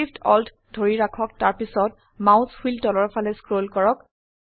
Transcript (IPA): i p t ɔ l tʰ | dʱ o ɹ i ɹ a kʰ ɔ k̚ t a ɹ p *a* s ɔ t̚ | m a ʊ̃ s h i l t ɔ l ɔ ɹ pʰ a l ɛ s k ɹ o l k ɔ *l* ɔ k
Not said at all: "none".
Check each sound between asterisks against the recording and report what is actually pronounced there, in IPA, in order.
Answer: i, ɹ

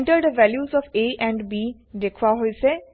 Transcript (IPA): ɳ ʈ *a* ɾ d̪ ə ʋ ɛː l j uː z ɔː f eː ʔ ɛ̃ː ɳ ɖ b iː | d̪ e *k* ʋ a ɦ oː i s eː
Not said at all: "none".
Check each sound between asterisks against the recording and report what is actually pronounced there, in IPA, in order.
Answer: ə, kʰ

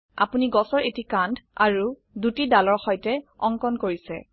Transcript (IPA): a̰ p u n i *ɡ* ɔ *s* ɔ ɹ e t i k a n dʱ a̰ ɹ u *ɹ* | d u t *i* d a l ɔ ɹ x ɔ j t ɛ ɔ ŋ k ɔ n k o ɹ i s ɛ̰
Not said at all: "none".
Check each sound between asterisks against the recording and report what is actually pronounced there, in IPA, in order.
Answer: ɡ, s, none, i

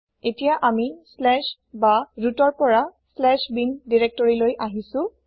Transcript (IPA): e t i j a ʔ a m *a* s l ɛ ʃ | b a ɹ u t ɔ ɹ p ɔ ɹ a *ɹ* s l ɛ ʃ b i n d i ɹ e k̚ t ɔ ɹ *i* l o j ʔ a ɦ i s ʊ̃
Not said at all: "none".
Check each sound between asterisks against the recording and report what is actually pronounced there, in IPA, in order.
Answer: i, none, i

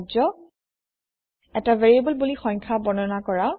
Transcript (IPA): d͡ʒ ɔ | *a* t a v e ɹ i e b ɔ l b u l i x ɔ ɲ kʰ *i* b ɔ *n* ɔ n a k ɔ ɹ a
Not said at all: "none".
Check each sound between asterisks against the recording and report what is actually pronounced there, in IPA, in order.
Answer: ɛ, a, n

